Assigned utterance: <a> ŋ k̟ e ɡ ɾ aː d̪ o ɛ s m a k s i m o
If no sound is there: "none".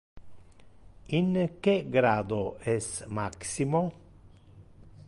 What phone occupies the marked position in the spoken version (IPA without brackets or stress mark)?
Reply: i